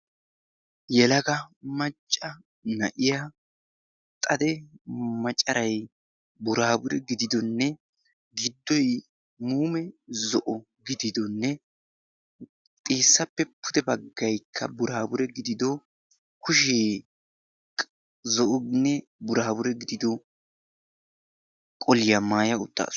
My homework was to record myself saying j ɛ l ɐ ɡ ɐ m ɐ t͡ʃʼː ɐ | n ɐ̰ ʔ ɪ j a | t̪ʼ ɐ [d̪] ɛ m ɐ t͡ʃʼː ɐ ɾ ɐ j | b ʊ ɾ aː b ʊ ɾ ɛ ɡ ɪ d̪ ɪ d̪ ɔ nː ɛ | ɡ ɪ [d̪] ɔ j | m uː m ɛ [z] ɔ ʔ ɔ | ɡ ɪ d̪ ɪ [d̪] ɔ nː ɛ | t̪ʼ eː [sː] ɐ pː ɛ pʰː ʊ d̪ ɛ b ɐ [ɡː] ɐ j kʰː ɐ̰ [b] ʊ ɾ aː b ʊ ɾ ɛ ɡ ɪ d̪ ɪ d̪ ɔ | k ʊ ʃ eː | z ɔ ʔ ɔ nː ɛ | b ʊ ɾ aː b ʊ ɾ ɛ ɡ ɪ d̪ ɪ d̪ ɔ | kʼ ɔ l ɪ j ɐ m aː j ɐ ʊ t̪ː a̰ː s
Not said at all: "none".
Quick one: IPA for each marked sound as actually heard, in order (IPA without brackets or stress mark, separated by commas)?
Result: d̪, d̪ː, z, d̪, sː, ɡː, b